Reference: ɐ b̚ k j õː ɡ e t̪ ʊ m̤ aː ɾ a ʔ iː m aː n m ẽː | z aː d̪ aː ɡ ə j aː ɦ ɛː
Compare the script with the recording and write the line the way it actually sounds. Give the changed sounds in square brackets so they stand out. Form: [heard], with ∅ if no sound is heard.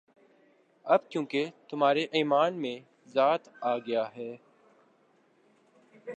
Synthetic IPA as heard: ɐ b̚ k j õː [k] e t̪ ʊ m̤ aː ɾ [e] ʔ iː m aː n m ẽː | z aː [t̪] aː ɡ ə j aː ɦ ɛː